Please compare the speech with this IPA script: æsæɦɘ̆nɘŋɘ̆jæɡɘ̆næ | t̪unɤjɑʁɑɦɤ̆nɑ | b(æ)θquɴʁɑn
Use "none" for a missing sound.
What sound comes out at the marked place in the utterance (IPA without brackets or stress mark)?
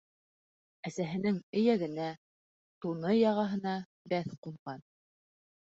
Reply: æ